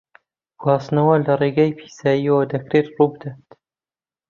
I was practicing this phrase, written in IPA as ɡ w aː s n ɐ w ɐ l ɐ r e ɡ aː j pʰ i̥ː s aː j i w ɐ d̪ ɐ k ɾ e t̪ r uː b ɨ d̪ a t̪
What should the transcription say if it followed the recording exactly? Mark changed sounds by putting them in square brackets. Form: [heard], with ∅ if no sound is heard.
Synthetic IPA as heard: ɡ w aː s n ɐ w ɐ l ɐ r e ɡ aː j pʰ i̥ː s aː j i w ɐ d̪ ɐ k ɾ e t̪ r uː b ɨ d̪ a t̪